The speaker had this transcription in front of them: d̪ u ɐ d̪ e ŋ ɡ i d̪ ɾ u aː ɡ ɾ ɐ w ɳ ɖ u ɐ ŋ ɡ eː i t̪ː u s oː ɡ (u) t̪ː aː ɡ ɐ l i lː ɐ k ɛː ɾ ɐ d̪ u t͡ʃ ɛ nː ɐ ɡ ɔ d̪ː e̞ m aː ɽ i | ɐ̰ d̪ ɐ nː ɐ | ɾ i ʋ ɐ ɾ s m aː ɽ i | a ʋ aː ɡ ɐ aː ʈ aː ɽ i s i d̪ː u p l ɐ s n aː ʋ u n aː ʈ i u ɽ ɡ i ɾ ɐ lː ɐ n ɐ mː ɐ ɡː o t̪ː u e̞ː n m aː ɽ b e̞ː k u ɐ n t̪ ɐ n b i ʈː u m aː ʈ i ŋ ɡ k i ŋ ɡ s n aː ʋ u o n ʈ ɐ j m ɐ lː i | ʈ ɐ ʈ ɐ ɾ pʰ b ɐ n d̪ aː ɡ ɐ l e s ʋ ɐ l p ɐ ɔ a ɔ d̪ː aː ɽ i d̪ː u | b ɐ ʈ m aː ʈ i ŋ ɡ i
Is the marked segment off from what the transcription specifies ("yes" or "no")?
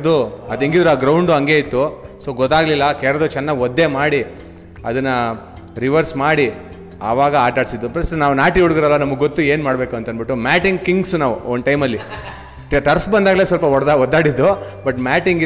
yes